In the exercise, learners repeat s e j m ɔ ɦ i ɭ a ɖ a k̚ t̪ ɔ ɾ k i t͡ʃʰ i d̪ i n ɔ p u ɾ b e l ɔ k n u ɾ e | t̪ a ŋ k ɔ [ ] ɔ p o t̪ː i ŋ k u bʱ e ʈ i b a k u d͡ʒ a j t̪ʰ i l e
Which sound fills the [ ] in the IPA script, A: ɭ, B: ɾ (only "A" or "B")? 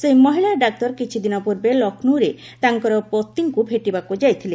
B